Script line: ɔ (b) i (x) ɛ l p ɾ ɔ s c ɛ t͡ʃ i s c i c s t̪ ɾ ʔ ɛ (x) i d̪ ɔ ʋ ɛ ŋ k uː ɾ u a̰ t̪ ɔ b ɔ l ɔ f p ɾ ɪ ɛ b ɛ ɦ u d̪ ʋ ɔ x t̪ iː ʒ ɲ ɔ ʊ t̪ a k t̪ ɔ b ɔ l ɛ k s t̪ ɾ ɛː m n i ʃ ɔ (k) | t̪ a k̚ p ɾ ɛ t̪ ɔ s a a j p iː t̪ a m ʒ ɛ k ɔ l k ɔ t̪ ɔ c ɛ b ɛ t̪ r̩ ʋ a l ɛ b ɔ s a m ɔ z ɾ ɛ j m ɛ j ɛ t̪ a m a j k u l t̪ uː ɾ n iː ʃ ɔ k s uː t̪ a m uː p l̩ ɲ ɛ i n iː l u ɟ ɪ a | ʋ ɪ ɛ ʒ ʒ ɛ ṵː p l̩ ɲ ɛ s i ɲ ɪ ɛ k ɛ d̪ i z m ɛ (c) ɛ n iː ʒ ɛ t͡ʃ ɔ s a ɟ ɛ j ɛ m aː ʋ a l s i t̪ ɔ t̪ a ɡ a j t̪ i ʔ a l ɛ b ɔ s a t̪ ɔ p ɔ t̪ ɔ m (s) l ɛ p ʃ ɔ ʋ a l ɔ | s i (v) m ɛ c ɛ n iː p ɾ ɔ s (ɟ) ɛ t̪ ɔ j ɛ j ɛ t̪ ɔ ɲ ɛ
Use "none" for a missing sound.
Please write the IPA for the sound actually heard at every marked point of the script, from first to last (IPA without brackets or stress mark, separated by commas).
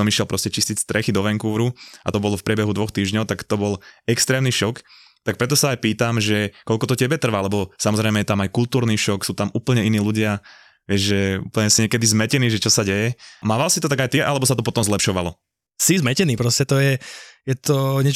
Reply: m, ʃ, x, k, c, z, z, c